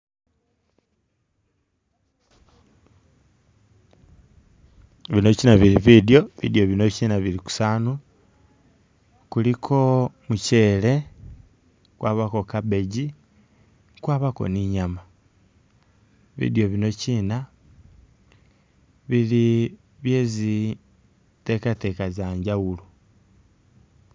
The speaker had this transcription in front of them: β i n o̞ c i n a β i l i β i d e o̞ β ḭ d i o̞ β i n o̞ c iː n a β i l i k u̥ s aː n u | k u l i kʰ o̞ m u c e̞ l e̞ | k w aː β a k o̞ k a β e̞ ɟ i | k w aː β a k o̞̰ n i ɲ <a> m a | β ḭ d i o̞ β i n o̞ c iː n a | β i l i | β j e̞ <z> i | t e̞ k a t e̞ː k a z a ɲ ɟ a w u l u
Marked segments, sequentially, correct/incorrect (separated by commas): correct, correct